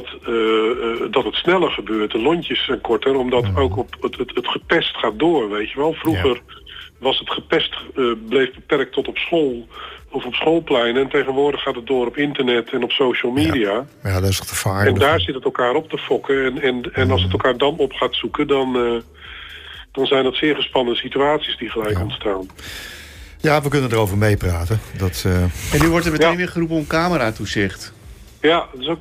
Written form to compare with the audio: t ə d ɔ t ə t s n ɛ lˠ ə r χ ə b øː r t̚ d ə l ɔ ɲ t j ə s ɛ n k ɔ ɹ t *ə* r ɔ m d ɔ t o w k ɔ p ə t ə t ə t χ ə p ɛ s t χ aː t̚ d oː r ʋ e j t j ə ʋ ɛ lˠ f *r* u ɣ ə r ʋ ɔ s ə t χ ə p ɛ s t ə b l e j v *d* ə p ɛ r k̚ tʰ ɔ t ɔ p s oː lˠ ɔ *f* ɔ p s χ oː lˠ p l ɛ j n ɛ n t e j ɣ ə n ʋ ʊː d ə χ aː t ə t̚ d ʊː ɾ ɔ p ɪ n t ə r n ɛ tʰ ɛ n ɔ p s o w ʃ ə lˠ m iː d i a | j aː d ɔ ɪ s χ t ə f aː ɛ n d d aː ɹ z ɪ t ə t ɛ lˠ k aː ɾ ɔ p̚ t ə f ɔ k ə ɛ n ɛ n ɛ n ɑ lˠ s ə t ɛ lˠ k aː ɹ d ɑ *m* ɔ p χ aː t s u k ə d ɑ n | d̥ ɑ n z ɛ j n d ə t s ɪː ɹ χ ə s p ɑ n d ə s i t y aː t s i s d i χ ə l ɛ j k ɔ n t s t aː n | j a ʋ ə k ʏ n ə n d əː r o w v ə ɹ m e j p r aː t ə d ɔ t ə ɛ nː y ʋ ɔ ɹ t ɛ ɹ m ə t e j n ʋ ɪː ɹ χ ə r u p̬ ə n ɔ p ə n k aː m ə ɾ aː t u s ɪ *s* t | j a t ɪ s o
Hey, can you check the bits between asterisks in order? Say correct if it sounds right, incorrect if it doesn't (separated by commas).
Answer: correct, correct, incorrect, correct, incorrect, incorrect